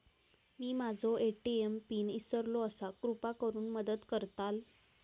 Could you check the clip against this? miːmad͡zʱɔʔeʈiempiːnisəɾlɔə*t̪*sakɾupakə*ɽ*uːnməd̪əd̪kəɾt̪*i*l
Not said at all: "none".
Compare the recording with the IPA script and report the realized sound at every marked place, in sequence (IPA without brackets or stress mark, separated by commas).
none, ɾ, a